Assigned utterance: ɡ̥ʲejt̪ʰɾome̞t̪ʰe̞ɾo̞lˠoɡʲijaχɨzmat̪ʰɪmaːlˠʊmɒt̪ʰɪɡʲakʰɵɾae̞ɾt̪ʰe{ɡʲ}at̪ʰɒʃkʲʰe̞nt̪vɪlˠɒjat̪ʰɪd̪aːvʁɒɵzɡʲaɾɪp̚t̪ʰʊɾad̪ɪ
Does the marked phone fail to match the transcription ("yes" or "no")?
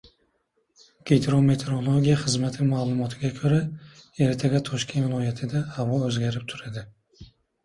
no